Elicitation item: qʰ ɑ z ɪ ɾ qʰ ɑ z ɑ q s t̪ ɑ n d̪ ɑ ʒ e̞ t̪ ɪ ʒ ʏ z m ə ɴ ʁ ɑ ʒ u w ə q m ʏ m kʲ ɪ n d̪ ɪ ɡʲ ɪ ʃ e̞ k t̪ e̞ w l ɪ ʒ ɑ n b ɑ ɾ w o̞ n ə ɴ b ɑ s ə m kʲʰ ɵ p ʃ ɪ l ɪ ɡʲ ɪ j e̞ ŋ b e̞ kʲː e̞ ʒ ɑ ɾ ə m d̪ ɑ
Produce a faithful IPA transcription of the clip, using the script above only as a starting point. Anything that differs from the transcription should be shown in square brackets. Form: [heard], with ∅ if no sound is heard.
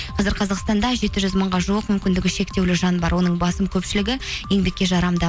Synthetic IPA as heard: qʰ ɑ z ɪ ɾ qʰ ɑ z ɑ q s t̪ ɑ n d̪ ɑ ʒ e̞ t̪ ɪ ʒ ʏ z m ə ɴ ʁ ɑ ʒ u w ə q m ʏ m kʲ ɪ n d̪ ɪ ɡʲ ɪ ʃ e̞ k t̪ e̞ w l ɪ ʒ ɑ n b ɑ ɾ w o̞ n ə ɴ b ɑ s ə m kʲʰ ɵ p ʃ ɪ l ɪ ɡʲ ɪ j e̞ ŋ b e̞ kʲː e̞ ʒ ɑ ɾ [ɑ] m d̪ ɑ